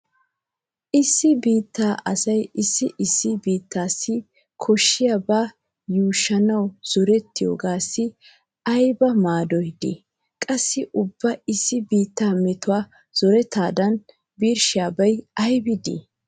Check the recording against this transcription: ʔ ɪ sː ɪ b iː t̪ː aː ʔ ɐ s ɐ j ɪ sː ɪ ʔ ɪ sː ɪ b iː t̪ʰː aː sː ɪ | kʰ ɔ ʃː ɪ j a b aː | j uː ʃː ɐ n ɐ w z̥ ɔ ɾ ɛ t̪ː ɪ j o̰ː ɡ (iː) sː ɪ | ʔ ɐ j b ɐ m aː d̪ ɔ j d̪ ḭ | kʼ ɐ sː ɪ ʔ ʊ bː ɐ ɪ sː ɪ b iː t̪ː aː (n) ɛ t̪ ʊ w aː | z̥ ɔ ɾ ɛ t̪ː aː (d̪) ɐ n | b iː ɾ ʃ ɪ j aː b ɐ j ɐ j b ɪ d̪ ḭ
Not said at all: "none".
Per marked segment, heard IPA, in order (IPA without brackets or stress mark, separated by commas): aː, m, d̪